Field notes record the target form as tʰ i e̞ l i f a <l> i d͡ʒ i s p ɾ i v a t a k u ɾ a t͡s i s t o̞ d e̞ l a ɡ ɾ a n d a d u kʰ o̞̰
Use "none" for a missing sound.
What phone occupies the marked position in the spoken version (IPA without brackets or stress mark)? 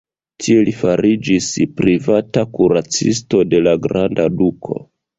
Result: ɾ